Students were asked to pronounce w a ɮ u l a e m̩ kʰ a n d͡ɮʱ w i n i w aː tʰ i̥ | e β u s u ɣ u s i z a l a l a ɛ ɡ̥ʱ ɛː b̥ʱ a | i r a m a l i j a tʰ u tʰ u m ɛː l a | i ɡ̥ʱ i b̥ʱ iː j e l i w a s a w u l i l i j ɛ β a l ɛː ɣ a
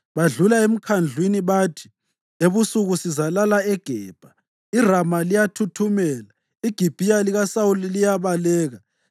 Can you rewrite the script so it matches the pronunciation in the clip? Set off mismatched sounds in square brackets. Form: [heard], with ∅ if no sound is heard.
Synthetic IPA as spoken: [β] a ɮ u l a e m̩ kʰ a n d͡ɮʱ w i n i [β] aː tʰ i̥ | e β u s u ɣ u s i z a l a l a ɛ ɡ̥ʱ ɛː b̥ʱ a | i r a m a l i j a tʰ u tʰ u m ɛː l a | i ɡ̥ʱ i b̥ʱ [i] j [a] l i [ɣ] a s a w u l i l i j [a] β a l ɛː ɣ a

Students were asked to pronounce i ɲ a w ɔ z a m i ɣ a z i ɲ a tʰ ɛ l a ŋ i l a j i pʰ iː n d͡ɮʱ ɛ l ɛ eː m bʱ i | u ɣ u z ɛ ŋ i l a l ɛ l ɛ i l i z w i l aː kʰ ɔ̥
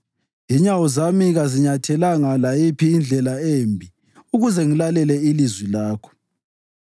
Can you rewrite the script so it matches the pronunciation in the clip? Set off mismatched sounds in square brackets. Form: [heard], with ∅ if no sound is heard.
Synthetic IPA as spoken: i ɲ a w ɔ z a m i ɣ a z i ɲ a tʰ ɛ l a ŋ [a] l a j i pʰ iː n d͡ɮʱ ɛ l [a] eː m bʱ i | u ɣ u z ɛ ŋ i l a l ɛ l ɛ i l i z w i l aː kʰ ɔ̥

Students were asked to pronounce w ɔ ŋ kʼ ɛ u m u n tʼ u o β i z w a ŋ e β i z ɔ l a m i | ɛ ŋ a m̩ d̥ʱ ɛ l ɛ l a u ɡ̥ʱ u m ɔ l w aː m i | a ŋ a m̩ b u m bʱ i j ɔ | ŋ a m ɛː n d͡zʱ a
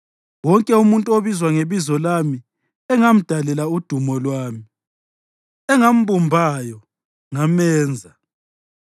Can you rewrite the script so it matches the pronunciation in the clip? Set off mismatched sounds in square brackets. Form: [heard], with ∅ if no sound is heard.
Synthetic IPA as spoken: w ɔ ŋ kʼ ɛ u m u n tʼ u o β i z w a ŋ e β i z ɔ l a m i | ɛ ŋ a m̩ d̥ʱ [a] l ɛ l a u [d̥ʱ] u m ɔ l w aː m i | [ɛ] ŋ a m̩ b u m bʱ [a] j ɔ | ŋ a m ɛː n d͡zʱ a

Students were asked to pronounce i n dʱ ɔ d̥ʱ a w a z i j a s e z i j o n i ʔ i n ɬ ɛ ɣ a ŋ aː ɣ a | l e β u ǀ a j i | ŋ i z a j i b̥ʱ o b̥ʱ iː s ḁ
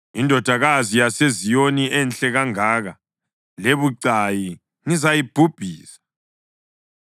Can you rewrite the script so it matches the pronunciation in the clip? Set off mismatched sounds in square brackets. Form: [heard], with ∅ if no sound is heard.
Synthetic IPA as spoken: i n dʱ ɔ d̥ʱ a [ɣ] a z i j a s e z i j o n i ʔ [ɛ] n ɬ ɛ ɣ a ŋ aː ɣ a | l e β u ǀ a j i | ŋ i z a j i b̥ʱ [u] b̥ʱ iː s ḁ

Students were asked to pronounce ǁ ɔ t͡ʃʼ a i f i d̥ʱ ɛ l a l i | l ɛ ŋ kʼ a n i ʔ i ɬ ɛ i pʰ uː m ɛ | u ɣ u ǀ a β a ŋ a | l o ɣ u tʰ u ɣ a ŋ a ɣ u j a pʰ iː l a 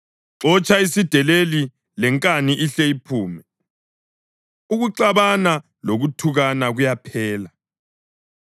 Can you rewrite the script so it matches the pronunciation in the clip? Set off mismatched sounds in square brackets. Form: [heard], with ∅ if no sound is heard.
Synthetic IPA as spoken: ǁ ɔ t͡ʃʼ a i [s] i d̥ʱ ɛ l [e] l i | l ɛ ŋ kʼ a n i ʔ i ɬ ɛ i pʰ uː m ɛ | u ɣ u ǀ a β a [n] a | l o ɣ u tʰ u ɣ a [n] a ɣ u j a pʰ [ɛː] l a

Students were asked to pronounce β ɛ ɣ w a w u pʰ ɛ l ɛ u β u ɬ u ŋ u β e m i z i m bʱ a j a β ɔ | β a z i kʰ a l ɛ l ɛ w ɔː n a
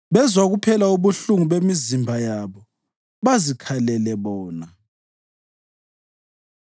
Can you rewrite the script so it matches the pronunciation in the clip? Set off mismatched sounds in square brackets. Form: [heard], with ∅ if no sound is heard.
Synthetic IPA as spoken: β ɛ [z] w a [ɣ] u pʰ ɛ l [a] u β u ɬ u ŋ u β e m i z i m bʱ a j a β ɔ | β a z i kʰ a l ɛ l ɛ [β] ɔː n a

